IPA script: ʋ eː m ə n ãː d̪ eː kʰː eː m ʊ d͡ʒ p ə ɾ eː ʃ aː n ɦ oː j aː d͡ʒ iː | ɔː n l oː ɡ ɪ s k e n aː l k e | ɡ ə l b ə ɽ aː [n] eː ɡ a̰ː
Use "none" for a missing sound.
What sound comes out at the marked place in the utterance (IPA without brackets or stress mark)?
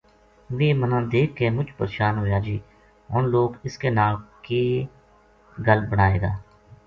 none